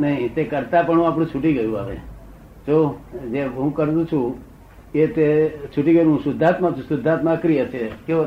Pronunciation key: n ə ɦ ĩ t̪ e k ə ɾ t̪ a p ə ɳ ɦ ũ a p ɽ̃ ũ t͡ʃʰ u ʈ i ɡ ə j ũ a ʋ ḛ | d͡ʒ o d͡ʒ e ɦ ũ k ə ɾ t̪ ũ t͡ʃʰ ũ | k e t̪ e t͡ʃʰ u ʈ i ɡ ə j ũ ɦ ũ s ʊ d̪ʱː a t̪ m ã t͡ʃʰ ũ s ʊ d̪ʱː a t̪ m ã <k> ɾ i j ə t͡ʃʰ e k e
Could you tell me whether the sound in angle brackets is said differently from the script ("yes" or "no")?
no